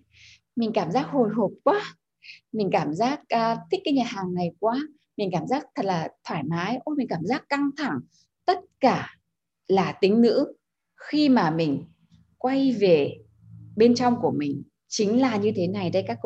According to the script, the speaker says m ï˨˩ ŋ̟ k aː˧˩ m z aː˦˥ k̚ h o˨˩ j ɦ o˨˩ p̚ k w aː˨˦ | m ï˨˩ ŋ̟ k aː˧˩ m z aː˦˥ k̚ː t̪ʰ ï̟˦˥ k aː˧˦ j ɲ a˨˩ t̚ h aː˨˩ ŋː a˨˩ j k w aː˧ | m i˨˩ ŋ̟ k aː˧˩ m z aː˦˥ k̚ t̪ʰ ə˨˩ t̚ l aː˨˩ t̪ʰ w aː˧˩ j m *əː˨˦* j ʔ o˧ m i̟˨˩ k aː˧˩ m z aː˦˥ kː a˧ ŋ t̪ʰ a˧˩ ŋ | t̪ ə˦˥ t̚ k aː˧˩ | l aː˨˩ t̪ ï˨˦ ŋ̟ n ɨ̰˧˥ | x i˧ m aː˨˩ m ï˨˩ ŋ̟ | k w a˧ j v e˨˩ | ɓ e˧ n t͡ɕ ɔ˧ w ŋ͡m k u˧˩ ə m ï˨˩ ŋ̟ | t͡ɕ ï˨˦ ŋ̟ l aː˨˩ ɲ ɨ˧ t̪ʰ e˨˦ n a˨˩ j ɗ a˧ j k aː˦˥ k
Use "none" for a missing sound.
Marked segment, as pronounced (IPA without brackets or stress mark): aː˨˦